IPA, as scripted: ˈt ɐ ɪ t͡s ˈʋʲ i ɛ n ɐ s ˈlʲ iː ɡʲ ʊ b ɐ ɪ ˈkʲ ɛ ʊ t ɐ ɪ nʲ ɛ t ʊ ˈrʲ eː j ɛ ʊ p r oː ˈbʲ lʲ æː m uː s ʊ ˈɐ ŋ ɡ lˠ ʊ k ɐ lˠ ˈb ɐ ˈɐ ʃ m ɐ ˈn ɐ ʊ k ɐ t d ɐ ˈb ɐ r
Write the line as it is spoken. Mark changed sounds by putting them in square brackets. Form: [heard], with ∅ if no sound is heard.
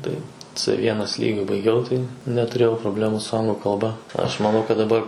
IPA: ˈt ɐ ɪ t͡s ˈʋʲ i ɛ n ɐ s ˈlʲ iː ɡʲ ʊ b ɐ ɪ [ˈɡʲ] ɛ ʊ t ɐ ɪ nʲ ɛ t ʊ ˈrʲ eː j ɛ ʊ p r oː ˈbʲ lʲ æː m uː s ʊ ˈɐ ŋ ɡ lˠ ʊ k ɐ lˠ ˈb ɐ ˈɐ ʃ m ɐ ˈn ɐ ʊ k ɐ t d ɐ ˈb ɐ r

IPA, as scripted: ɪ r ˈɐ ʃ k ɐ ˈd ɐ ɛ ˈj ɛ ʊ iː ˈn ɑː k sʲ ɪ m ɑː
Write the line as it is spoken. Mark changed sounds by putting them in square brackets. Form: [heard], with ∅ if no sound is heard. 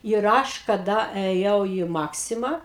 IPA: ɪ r ˈɐ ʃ k ɐ ˈd ɐ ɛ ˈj ɛ ʊ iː [ˈm] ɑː k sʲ ɪ m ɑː

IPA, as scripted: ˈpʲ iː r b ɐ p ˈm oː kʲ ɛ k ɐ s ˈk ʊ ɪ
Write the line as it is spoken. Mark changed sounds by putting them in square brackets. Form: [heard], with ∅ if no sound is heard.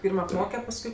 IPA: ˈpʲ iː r [m] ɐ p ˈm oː kʲ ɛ [p] ɐ s ˈk ʊ ɪ

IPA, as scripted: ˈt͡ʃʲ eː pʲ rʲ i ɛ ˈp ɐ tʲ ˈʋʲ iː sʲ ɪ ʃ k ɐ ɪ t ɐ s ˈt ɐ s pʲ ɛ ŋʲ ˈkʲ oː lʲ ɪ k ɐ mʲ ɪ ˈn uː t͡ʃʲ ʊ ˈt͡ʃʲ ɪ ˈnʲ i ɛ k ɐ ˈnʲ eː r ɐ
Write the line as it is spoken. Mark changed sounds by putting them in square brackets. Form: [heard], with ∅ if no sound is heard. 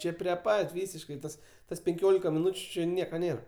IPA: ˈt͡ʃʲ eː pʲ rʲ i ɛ ˈp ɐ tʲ ˈʋʲ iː sʲ ɪ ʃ k ɐ ɪ t ɐ s ˈt ɐ s pʲ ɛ ŋʲ ˈkʲ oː lʲ ɪ k ɐ mʲ ɪ ˈn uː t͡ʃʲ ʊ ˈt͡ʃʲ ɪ ˈnʲ i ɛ k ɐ ˈnʲ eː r ɐ

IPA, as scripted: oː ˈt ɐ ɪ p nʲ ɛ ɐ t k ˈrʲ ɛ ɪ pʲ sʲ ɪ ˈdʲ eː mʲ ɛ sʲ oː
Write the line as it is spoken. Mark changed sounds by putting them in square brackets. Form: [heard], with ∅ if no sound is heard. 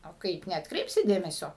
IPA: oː [ˈk] ɐ ɪ p nʲ ɛ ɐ t k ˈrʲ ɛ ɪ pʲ sʲ ɪ ˈdʲ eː mʲ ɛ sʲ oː

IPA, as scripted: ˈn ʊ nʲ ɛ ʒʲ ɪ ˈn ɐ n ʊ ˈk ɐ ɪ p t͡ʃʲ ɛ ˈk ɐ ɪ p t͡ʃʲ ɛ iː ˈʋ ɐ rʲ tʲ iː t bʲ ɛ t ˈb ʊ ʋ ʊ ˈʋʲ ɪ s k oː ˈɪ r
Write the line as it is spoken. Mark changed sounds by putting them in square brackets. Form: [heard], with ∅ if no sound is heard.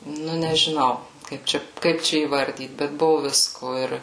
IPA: ˈn ʊ nʲ ɛ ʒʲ ɪ ˈn ɐ [∅] ʊ ˈk ɐ ɪ p t͡ʃʲ ɛ ˈk ɐ ɪ p t͡ʃʲ ɛ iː ˈʋ ɐ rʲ [dʲ] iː t bʲ ɛ t ˈb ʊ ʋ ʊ ˈʋʲ ɪ s k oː ˈɪ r

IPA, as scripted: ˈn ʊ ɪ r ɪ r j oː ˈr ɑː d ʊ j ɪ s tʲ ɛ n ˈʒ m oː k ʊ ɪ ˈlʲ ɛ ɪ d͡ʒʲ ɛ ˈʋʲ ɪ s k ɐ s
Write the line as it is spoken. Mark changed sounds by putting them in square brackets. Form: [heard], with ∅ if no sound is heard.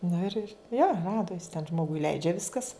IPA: ˈn ʊ ɪ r ɪ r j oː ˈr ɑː d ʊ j ɪ s tʲ ɛ n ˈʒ m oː [ɡ] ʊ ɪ ˈlʲ ɛ ɪ d͡ʒʲ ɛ ˈʋʲ ɪ s k ɐ s

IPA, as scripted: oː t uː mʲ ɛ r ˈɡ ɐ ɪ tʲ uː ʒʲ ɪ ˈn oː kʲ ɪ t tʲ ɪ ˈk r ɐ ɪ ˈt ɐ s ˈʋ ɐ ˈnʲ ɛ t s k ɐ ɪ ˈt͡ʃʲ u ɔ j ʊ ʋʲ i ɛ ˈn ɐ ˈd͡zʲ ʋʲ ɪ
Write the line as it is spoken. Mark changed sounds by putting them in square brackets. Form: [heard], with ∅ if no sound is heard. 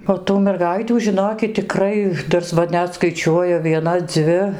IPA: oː t uː mʲ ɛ r ˈɡ ɐ ɪ tʲ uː ʒʲ ɪ ˈn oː kʲ ɪ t tʲ ɪ ˈk r ɐ ɪ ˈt ɐ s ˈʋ ɐ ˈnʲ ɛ t s k ɐ ɪ ˈt͡ʃʲ u ɔ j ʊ ʋʲ i ɛ ˈn ɐ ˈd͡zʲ ʋʲ ɪ

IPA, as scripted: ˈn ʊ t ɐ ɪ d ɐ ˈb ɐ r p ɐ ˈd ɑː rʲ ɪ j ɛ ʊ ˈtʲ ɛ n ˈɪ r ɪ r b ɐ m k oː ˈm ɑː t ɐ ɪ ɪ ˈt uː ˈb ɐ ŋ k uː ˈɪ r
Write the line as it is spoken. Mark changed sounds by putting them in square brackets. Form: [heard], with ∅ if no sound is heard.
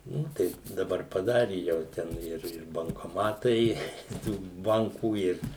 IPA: ˈn ʊ t ɐ ɪ d ɐ ˈb ɐ r p ɐ ˈd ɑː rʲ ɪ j ɛ ʊ ˈtʲ ɛ n ˈɪ r ɪ r b ɐ [ŋ] k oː ˈm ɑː t ɐ ɪ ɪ ˈt uː ˈb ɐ ŋ k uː ˈɪ r

